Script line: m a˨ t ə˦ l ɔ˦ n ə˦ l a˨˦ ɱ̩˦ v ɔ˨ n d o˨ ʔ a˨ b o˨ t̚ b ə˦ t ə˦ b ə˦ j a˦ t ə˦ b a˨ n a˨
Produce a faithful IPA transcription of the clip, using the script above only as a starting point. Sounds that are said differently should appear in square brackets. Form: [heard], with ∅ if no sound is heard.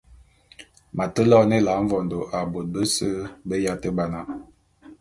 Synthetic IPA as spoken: m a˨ t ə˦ l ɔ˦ n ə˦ l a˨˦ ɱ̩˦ v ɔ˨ n d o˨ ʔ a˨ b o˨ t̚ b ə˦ [s] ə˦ b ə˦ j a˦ t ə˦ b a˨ n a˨